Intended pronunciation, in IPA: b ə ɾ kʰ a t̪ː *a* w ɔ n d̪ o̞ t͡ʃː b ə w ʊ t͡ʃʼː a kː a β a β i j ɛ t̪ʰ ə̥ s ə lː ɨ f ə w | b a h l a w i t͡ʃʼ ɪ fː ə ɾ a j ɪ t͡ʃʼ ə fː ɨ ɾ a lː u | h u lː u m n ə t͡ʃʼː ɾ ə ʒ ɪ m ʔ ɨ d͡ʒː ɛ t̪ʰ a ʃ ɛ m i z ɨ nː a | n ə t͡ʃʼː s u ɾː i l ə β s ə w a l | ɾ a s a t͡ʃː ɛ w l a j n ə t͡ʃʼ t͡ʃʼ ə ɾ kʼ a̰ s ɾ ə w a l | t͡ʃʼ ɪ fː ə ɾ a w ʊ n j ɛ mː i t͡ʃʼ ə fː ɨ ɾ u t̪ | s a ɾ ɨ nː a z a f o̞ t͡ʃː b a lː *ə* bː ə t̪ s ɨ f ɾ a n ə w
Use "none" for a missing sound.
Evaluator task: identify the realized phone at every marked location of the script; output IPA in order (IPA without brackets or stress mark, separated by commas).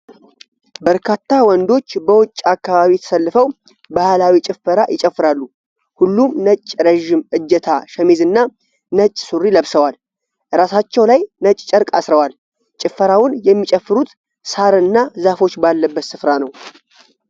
a, ə